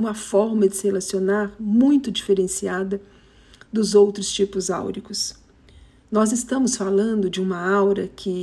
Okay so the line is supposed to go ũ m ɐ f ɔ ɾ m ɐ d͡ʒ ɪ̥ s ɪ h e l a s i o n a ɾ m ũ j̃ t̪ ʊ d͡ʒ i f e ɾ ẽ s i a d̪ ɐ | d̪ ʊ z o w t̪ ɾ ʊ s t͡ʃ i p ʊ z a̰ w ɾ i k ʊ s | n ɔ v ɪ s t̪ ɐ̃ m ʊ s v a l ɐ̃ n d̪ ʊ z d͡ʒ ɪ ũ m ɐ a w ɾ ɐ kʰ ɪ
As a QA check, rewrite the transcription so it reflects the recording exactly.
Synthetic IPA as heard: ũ m ɐ f ɔ ɾ m ɐ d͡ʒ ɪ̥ s ɪ h e l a s i o n a ɾ m ũ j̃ t̪ ʊ d͡ʒ i f e ɾ ẽ s i a d̪ ɐ | d̪ ʊ z o w t̪ ɾ ʊ s t͡ʃ i p ʊ z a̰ w ɾ i k ʊ s | n ɔ z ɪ s t̪ ɐ̃ m ʊ s f a l ɐ̃ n d̪ ʊ d͡ʒ ɪ ũ m ɐ a w ɾ ɐ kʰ ɪ